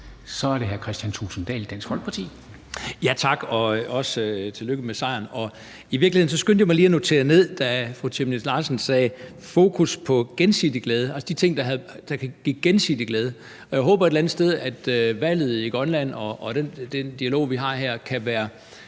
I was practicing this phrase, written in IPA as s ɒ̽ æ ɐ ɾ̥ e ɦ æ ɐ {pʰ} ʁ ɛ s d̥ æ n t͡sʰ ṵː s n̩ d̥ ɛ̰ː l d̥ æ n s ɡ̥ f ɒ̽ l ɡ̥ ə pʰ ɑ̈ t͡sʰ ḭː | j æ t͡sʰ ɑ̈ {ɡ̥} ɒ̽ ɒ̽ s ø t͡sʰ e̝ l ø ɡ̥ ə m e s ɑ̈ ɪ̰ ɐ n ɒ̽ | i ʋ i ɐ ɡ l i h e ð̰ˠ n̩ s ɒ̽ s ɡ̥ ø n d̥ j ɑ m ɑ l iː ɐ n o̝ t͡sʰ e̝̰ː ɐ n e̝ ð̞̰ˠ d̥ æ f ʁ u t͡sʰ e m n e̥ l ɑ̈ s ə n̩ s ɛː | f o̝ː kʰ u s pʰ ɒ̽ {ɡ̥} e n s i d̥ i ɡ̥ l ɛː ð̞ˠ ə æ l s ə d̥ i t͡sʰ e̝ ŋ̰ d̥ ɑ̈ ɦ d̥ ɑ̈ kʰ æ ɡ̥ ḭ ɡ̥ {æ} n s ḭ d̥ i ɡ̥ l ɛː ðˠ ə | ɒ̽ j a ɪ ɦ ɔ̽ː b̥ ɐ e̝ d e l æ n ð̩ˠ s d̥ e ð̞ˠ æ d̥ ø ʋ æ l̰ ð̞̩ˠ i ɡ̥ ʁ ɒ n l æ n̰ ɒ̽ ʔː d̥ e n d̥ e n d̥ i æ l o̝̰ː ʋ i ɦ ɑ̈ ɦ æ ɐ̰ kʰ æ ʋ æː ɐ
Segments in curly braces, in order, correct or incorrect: incorrect: kʰ, correct, correct, incorrect: e

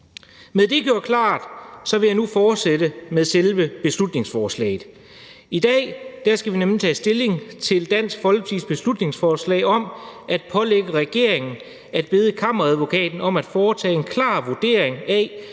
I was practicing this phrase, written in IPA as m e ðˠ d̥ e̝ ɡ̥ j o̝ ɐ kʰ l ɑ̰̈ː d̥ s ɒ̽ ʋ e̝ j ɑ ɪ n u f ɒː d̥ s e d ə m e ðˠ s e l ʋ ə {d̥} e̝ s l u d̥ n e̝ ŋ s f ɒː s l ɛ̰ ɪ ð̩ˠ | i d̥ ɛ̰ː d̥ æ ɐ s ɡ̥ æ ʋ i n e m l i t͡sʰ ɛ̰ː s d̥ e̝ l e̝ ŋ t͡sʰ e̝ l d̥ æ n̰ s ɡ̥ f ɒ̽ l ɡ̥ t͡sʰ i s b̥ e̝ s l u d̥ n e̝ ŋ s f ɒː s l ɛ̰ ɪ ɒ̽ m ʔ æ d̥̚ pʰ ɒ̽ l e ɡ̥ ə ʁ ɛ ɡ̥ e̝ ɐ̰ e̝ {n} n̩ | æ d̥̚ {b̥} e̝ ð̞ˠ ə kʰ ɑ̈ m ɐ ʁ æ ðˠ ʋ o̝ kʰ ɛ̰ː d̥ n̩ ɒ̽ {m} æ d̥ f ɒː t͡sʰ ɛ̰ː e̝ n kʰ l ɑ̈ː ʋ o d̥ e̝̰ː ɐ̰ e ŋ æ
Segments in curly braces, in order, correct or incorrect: incorrect: b̥, incorrect: ŋ, correct, correct

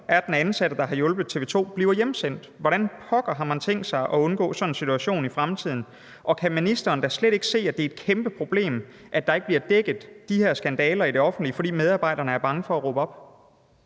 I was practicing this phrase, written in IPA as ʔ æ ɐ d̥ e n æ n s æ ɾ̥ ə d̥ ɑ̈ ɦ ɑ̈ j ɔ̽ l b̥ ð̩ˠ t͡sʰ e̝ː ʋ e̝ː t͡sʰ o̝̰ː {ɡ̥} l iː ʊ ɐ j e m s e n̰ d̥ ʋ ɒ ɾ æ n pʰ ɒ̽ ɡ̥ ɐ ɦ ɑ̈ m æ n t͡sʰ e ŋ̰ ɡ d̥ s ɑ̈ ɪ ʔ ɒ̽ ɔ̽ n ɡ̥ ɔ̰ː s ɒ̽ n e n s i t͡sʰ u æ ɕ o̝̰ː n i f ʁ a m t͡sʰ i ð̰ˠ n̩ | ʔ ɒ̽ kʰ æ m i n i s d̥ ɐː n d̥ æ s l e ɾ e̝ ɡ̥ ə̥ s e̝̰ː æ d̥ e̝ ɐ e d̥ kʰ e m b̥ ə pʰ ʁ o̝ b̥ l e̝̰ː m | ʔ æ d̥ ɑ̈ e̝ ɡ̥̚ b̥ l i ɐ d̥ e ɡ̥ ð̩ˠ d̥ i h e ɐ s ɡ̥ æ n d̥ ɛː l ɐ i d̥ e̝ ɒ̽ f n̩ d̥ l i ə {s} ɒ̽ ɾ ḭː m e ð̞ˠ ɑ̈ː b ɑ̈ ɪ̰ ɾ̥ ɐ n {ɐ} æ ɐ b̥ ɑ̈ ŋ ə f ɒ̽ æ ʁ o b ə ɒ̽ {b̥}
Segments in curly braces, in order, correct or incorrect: incorrect: b̥, incorrect: f, incorrect: ə, correct

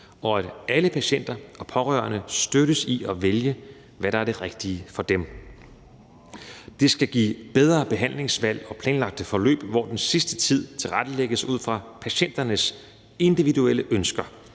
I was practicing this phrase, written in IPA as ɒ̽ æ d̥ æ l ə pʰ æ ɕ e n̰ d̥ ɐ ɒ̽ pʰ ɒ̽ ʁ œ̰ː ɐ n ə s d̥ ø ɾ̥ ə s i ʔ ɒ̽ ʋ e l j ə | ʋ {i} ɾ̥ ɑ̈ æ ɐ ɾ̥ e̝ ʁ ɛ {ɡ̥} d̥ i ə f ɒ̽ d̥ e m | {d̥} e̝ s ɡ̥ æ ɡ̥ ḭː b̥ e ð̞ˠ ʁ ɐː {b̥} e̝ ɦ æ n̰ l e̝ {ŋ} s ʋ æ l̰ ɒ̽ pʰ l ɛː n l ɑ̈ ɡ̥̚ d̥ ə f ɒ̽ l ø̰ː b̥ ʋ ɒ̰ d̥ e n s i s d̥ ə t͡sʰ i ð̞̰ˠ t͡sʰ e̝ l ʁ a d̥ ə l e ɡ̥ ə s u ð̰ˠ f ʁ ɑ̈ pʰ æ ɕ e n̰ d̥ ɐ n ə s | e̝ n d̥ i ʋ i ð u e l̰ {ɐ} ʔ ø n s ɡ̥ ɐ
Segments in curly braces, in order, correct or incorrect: incorrect: æ, correct, correct, correct, correct, incorrect: ə

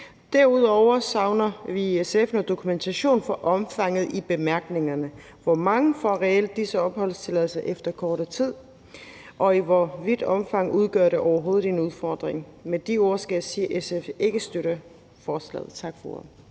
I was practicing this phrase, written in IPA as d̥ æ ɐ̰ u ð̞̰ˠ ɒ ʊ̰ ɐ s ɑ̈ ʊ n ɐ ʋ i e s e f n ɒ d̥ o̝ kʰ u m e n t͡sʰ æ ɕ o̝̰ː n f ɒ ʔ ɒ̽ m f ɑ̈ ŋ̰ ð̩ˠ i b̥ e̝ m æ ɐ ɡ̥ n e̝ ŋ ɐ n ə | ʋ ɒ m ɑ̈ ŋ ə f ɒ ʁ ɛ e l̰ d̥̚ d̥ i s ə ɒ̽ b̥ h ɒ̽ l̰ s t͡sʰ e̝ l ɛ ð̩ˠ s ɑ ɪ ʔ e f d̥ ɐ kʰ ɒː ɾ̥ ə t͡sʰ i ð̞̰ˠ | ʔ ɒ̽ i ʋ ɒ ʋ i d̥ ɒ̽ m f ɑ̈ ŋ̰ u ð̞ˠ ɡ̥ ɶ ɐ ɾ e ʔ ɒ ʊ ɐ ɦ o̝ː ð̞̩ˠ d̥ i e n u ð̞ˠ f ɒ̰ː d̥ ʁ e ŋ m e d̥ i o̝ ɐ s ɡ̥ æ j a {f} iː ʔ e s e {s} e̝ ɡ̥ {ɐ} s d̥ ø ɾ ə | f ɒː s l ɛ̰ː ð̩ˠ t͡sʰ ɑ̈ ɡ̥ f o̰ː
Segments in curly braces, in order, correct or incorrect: incorrect: s, incorrect: f, incorrect: ə

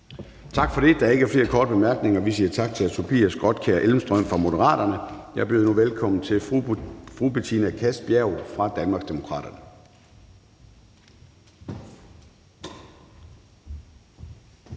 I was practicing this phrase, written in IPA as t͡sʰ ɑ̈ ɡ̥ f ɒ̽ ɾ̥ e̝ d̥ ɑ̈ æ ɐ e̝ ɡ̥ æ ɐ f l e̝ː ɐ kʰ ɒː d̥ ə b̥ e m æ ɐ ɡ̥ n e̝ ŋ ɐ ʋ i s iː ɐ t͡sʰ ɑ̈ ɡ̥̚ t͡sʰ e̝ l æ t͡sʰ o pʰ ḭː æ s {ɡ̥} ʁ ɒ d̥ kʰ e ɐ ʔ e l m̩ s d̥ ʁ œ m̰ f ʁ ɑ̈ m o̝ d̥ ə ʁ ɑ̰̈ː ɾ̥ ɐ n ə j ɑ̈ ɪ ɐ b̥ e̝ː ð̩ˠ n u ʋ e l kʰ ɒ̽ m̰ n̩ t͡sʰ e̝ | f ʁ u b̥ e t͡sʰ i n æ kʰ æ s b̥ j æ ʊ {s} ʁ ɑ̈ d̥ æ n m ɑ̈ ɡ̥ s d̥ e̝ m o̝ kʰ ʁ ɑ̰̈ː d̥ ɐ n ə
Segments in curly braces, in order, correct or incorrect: correct, incorrect: f

